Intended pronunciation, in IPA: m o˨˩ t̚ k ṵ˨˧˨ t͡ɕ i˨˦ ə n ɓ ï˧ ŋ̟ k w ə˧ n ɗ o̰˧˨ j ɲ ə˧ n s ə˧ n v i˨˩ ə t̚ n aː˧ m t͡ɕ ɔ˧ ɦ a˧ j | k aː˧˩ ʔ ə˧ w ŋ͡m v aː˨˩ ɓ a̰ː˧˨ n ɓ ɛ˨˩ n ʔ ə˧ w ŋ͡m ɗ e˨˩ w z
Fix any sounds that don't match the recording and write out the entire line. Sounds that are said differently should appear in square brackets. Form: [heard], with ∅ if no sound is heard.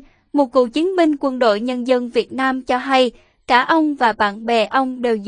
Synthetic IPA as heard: m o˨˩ t̚ k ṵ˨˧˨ t͡ɕ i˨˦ ə n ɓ ï˧ ŋ̟ k w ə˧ n ɗ o̰˧˨ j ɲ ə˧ n [z] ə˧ n v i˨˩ ə t̚ n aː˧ m t͡ɕ ɔ˧ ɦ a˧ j | k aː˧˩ ʔ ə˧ w ŋ͡m v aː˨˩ ɓ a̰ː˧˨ n ɓ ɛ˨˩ [∅] ʔ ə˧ w ŋ͡m ɗ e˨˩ w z